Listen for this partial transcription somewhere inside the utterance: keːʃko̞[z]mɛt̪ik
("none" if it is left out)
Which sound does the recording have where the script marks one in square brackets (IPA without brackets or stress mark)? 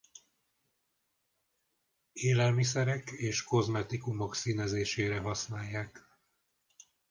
z